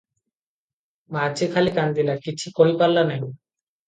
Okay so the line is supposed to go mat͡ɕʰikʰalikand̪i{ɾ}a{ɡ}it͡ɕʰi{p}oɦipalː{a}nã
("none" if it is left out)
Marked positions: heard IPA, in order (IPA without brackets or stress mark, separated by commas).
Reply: l, k, k, a